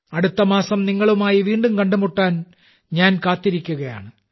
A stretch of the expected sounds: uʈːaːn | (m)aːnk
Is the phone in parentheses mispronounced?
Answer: yes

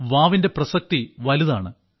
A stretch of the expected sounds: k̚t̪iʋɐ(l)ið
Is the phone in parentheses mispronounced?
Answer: no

